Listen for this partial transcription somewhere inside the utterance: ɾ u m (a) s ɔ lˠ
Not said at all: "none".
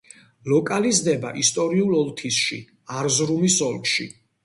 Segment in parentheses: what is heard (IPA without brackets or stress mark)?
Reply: i